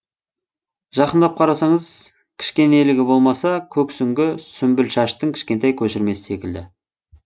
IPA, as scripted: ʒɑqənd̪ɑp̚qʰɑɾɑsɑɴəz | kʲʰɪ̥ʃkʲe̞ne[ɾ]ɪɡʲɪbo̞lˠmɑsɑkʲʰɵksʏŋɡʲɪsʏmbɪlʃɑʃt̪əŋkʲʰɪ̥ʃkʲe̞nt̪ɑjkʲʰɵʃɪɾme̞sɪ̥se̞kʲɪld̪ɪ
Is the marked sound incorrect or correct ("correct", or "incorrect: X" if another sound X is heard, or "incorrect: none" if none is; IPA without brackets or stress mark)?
incorrect: l